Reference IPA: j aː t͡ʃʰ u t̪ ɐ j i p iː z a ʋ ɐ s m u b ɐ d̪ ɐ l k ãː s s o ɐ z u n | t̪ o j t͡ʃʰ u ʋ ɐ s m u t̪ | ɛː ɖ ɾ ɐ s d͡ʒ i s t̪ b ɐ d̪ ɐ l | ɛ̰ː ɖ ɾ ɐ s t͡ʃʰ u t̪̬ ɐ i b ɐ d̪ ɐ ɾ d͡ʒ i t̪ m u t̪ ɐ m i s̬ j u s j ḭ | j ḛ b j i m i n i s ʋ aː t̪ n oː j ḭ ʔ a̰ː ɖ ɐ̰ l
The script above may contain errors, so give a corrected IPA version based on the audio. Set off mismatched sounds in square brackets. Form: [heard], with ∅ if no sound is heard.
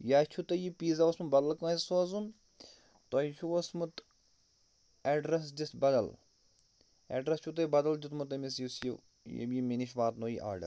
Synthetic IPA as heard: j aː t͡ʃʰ u t̪ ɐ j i p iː z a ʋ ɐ s m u b ɐ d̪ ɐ l k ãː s s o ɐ z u n | t̪ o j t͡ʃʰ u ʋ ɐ s m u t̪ | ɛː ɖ ɾ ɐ s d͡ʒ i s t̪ b ɐ d̪ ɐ l | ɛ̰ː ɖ ɾ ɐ s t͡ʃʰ u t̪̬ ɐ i b ɐ d̪ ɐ [l] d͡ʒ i t̪ m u t̪ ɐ m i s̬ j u s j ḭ | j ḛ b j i m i n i [ʃ] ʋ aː t̪ n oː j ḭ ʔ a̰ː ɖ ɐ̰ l